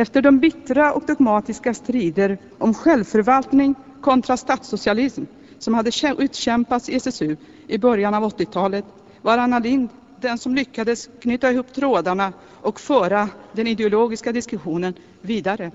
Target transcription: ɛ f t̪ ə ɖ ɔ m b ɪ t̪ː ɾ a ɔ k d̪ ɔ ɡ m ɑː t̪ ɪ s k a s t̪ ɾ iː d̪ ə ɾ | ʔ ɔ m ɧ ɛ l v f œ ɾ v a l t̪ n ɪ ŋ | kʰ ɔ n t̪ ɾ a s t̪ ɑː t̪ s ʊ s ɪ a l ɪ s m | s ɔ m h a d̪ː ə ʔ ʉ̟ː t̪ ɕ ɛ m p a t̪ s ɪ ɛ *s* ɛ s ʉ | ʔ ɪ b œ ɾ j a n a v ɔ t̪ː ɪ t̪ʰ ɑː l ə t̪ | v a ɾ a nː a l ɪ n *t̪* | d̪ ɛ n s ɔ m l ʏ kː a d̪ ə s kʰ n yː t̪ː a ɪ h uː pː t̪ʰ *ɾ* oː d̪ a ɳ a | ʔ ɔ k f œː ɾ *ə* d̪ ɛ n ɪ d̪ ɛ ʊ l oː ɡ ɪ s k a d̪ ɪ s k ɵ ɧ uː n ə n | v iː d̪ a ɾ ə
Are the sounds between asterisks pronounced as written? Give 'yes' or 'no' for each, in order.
yes, no, yes, no

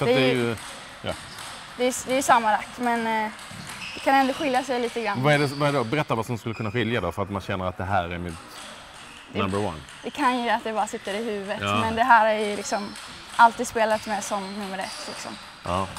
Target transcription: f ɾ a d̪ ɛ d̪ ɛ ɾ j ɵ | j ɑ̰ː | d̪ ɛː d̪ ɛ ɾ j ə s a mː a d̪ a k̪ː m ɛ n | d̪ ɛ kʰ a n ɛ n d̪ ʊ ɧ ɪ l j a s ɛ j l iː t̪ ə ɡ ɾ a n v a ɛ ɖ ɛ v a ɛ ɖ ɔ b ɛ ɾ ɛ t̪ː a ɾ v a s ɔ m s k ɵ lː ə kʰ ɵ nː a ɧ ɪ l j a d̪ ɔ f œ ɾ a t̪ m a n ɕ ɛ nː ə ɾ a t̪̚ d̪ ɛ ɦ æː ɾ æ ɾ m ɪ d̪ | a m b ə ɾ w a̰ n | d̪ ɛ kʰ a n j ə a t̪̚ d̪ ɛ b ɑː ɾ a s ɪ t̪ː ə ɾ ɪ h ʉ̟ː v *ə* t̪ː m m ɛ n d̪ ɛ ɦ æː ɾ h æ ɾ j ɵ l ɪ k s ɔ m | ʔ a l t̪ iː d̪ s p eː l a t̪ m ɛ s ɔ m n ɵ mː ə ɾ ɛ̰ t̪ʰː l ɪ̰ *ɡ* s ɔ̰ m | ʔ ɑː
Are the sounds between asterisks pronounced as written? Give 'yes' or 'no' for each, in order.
yes, no

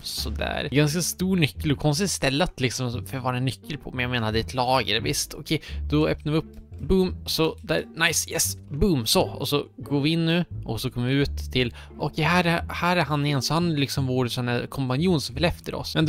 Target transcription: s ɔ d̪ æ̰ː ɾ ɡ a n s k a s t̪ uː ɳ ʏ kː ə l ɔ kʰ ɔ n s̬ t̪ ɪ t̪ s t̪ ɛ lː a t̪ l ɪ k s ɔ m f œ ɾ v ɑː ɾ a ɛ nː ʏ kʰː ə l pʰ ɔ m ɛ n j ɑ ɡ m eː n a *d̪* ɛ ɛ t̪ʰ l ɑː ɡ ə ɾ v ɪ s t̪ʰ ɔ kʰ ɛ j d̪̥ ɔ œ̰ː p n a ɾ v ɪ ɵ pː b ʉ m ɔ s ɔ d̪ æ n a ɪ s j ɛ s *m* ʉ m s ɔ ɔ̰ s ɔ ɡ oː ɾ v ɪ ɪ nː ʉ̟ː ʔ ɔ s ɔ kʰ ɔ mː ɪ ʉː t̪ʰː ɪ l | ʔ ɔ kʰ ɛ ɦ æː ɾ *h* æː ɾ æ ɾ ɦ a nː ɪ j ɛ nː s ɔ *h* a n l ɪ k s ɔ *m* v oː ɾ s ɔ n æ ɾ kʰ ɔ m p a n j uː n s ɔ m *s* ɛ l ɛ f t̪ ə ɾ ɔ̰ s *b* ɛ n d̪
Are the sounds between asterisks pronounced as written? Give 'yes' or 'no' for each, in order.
yes, no, yes, yes, yes, no, no

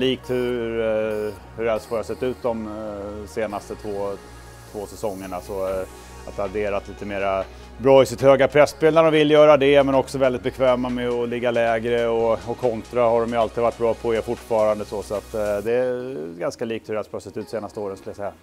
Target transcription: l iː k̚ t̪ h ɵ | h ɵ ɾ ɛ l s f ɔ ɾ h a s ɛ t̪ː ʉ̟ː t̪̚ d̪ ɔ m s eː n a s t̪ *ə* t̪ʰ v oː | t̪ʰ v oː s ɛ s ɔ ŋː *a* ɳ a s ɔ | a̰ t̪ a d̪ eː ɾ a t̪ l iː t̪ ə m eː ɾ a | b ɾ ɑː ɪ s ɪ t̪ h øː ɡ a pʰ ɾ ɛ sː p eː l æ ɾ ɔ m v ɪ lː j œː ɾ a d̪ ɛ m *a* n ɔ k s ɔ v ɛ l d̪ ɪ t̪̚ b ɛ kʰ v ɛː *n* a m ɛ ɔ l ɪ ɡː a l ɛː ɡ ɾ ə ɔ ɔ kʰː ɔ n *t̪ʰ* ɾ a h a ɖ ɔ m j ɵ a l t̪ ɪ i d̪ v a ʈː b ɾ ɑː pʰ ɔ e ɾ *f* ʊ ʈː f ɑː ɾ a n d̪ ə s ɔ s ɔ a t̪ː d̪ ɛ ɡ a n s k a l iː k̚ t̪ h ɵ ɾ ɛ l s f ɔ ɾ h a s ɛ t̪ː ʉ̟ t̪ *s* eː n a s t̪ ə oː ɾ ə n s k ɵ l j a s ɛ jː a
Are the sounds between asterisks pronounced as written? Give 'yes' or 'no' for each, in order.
yes, no, no, no, no, yes, yes

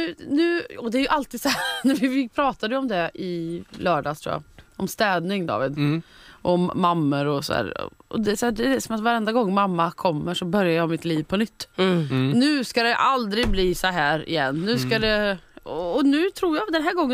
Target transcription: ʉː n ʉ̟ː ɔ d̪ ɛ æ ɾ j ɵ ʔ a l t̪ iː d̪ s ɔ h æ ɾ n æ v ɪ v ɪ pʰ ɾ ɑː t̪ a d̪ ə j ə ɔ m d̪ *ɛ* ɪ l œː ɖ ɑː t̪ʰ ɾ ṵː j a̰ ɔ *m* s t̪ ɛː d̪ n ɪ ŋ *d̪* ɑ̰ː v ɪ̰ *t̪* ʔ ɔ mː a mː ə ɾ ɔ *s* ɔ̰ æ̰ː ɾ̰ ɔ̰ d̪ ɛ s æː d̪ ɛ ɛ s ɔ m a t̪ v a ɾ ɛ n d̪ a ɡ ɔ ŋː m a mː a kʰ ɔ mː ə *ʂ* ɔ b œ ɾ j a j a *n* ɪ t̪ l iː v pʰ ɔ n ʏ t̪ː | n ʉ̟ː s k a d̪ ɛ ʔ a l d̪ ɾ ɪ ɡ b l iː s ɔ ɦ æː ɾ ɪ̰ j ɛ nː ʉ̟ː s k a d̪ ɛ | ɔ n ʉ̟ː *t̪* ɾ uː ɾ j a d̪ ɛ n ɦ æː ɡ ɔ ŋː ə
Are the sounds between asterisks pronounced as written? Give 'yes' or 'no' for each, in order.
yes, yes, yes, no, yes, yes, no, no

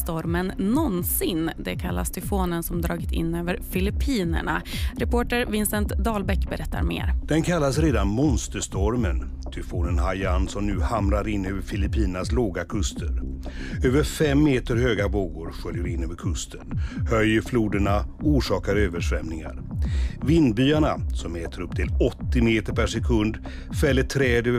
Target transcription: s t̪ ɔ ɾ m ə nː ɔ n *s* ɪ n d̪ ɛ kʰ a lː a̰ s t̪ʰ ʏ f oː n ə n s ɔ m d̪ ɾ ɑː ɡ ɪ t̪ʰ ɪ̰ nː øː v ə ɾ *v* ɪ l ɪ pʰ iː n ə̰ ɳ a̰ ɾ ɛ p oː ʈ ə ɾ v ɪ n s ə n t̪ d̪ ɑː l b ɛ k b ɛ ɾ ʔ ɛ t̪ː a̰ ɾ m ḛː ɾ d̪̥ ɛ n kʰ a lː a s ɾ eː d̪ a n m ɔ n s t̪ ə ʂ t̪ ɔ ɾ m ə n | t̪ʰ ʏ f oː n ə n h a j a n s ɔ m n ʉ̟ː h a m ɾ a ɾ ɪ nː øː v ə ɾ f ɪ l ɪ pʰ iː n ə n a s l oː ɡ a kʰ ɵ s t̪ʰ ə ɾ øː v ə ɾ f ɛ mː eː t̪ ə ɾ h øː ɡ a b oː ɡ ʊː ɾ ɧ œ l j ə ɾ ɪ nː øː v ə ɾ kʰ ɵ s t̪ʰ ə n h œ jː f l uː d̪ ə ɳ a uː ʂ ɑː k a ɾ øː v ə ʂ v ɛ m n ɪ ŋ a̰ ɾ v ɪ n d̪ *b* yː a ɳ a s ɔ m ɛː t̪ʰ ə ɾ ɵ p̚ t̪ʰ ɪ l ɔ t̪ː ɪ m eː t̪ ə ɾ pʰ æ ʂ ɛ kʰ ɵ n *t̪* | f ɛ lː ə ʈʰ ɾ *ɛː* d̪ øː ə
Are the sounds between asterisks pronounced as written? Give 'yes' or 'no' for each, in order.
yes, no, yes, no, yes

